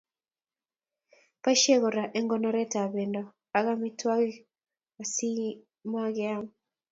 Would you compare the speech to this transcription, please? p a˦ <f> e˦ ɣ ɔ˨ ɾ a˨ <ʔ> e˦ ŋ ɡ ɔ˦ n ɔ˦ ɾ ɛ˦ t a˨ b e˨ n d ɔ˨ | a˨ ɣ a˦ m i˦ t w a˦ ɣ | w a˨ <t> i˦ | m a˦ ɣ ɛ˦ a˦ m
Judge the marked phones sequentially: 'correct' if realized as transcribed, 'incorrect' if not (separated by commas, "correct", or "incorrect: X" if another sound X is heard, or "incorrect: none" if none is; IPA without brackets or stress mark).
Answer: incorrect: ʃ, correct, incorrect: s